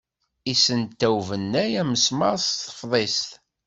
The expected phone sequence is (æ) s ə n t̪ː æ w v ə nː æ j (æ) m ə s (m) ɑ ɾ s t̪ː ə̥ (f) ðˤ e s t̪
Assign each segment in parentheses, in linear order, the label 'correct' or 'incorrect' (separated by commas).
incorrect, correct, correct, correct